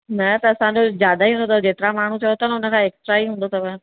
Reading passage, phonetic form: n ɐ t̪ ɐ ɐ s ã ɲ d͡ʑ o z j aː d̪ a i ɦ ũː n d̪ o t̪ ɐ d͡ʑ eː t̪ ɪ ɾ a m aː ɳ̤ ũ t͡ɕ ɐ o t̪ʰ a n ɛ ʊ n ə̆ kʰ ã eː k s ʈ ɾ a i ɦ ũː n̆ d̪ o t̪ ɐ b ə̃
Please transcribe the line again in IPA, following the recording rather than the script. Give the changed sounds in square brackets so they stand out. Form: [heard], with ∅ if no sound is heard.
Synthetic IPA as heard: n ɐ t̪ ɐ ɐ s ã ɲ d͡ʑ o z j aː d̪ a i ɦ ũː n d̪ o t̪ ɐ d͡ʑ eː t̪ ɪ ɾ a m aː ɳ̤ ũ t͡ɕ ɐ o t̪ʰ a n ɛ ʊ n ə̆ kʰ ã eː k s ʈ ɾ a i ɦ ũː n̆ d̪ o t̪ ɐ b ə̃